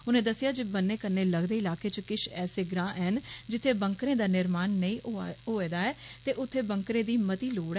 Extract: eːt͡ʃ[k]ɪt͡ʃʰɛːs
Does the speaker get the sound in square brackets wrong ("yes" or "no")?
no